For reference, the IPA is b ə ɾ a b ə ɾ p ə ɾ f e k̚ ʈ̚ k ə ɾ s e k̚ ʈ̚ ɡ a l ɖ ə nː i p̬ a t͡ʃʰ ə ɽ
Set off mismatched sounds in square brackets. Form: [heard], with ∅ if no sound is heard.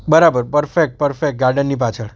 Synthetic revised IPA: b ə ɾ a b ə ɾ p ə ɾ f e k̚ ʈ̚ [p] ə ɾ [f] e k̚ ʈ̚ ɡ a [ɾ] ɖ ə nː i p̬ a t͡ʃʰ ə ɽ